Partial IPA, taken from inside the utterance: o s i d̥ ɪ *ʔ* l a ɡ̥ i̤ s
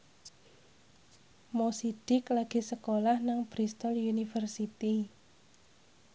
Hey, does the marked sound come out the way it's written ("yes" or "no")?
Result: no